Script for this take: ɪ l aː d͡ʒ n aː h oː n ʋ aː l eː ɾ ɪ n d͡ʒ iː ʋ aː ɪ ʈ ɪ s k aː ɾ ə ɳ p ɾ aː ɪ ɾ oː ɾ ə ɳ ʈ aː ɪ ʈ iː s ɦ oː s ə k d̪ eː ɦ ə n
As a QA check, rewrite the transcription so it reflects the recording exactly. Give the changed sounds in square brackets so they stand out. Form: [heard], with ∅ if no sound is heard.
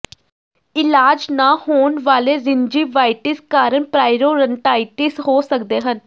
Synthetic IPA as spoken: ɪ l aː d͡ʒ n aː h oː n ʋ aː l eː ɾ ɪ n d͡ʒ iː ʋ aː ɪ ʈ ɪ s k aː ɾ ə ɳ p ɾ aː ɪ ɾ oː ɾ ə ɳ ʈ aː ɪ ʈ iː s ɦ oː s ə k d̪ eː ɦ ə n